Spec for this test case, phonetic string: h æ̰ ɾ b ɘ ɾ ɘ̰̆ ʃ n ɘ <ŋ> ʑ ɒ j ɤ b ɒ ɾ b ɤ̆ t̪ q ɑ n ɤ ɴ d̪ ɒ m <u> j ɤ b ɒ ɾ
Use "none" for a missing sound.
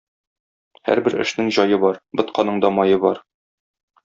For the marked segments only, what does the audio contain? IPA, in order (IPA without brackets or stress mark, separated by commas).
ŋ, ɒ